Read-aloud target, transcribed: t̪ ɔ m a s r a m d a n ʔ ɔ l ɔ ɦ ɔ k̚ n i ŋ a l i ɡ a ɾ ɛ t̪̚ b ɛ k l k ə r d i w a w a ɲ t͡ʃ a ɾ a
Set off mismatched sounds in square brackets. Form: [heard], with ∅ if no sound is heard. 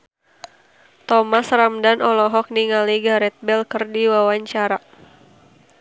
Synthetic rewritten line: t̪ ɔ m a s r a m d a n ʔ ɔ l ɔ ɦ ɔ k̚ n i ŋ a l i ɡ a ɾ ɛ t̪̚ b ɛ [∅] l k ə r d i w a w a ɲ t͡ʃ a ɾ a